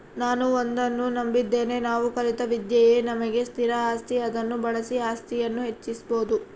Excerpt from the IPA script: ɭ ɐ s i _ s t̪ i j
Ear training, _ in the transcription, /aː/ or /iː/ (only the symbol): aː